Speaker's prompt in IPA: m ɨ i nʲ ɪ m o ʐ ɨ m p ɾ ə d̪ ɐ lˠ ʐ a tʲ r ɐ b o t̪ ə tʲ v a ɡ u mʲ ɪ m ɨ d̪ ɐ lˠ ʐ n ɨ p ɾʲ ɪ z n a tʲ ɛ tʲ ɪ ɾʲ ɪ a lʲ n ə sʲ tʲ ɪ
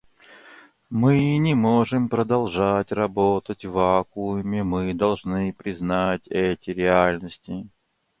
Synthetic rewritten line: m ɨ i nʲ ɪ m o ʐ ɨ m p ɾ ə d̪ ɐ lˠ ʐ a tʲ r ɐ b o t̪ ə tʲ v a k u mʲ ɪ m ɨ d̪ ɐ lˠ ʐ n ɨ p ɾʲ ɪ z n a tʲ ɛ tʲ ɪ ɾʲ ɪ a lʲ n ə sʲ tʲ ɪ